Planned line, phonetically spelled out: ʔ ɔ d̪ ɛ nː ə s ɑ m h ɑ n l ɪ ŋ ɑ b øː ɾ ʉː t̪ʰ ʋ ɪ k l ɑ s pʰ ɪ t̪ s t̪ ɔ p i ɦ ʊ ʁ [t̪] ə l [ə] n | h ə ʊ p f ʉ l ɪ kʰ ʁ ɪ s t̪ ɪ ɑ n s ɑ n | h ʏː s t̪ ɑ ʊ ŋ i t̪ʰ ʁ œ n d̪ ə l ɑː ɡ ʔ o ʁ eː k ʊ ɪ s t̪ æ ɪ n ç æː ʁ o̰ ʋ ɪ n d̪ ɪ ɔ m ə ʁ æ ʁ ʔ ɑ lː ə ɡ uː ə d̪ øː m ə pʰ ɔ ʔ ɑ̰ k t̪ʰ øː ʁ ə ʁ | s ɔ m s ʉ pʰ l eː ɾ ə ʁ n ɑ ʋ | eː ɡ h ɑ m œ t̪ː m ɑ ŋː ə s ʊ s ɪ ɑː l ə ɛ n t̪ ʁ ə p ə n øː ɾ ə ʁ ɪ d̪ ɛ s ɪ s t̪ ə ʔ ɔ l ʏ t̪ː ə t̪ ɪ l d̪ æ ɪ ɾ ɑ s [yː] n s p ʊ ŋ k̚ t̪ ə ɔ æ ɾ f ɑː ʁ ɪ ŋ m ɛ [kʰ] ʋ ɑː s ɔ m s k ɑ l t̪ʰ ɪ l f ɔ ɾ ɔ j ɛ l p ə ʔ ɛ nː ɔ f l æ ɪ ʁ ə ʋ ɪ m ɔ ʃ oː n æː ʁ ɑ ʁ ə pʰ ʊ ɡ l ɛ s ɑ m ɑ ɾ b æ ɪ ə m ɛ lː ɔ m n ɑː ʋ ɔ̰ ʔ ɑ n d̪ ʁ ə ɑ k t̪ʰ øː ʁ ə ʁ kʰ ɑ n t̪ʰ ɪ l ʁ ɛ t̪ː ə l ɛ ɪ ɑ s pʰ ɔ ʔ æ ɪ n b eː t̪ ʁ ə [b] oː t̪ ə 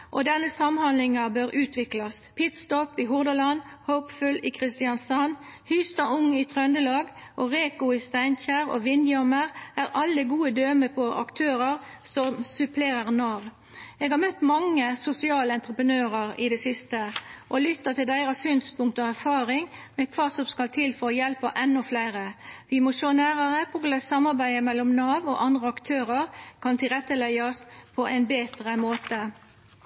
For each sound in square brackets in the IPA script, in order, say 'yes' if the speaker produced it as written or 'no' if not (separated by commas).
no, no, yes, yes, no